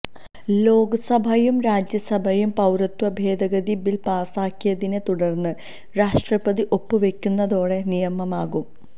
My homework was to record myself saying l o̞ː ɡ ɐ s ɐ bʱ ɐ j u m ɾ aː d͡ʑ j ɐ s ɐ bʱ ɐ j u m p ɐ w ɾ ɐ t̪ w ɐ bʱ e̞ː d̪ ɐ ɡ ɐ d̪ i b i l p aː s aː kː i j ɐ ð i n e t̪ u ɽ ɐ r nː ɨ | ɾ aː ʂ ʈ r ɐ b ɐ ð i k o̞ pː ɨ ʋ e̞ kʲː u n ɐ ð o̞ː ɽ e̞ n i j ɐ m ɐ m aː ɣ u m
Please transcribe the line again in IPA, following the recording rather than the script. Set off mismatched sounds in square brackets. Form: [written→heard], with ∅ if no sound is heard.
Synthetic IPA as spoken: l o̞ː ɡ ɐ s ɐ bʱ ɐ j u m ɾ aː d͡ʑ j ɐ s ɐ bʱ ɐ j u m p ɐ w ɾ ɐ t̪ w ɐ bʱ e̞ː d̪ ɐ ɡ ɐ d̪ i b i l p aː s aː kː i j ɐ ð i n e t̪ u ɽ ɐ r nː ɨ | ɾ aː ʂ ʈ r ɐ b ɐ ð i [k→ʔ] o̞ pː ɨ ʋ e̞ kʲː u [n→nː] ɐ ð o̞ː ɽ e̞ n i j ɐ m ɐ m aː ɣ u m